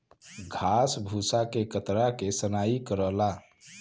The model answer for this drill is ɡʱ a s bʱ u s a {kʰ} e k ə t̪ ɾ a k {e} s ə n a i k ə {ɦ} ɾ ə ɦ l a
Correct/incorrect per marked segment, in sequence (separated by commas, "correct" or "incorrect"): incorrect, correct, incorrect